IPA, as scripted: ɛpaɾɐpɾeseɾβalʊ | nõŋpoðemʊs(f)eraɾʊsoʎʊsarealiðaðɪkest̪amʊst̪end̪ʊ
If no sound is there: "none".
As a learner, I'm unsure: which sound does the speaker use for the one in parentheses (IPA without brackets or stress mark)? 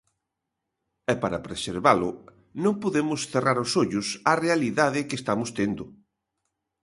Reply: θ